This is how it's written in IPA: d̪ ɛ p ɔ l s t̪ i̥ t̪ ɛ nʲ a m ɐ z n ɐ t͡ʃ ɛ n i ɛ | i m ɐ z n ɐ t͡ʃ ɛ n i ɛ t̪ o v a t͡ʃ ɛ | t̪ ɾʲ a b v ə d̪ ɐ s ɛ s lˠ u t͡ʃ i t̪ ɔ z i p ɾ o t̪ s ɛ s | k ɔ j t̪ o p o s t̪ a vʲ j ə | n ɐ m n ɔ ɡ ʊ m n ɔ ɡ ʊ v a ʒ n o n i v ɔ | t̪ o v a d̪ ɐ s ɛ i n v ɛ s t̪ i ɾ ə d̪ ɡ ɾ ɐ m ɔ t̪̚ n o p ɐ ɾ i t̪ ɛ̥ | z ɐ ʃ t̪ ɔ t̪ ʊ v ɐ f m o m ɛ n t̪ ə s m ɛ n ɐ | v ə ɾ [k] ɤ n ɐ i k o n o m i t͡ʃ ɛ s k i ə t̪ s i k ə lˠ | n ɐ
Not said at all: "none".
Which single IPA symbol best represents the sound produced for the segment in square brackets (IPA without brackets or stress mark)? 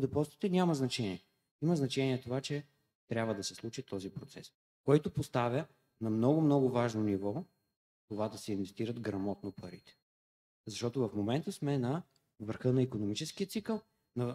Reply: x